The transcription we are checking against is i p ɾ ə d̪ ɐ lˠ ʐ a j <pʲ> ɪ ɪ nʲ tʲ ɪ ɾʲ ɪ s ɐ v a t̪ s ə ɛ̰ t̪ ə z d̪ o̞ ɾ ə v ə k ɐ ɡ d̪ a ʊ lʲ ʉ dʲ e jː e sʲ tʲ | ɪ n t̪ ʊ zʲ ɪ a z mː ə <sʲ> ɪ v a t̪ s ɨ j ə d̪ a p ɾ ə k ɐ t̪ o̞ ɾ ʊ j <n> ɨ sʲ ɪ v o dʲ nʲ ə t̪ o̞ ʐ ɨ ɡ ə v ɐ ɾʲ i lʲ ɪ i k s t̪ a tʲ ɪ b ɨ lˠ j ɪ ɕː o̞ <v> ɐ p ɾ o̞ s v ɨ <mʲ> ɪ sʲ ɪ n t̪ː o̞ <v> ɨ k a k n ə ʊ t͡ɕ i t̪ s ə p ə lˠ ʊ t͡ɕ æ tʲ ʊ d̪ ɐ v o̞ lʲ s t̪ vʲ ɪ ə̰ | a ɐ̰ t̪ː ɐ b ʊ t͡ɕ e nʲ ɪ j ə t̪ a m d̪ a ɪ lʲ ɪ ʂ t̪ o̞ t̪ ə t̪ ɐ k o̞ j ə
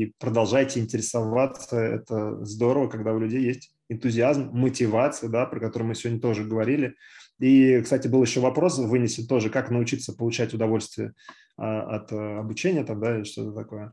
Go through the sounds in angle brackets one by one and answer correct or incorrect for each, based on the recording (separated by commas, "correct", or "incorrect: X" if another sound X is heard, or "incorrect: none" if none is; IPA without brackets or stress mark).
incorrect: tʲ, incorrect: tʲ, incorrect: m, correct, incorrect: nʲ, incorrect: ʐ